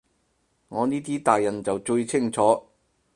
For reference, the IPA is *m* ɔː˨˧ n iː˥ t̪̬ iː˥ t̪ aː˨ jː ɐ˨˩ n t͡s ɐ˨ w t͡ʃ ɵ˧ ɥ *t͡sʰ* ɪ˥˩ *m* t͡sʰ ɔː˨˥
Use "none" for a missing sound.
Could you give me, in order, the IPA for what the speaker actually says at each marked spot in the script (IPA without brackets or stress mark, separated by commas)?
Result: ŋ, t͡sʰ, ŋ